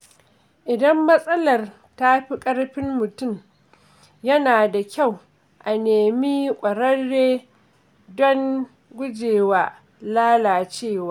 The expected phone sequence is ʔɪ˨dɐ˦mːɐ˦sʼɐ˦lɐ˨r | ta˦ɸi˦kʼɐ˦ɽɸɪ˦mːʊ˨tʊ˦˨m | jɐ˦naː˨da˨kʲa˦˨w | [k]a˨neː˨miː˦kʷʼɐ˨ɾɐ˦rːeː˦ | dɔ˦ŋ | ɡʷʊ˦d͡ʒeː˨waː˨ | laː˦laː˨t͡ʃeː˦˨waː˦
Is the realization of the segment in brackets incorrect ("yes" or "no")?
yes